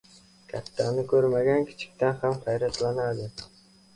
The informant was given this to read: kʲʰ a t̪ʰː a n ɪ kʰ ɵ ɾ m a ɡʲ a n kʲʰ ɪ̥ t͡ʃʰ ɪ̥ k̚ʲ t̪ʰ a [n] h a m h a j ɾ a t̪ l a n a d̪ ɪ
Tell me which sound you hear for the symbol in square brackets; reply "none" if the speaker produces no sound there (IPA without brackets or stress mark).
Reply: n